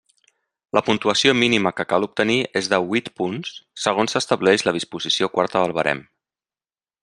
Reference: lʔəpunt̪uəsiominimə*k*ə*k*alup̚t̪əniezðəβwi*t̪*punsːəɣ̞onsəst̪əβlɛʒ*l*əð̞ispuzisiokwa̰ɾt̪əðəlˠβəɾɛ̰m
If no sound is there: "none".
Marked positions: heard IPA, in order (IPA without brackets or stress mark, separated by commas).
k, k, t̪, l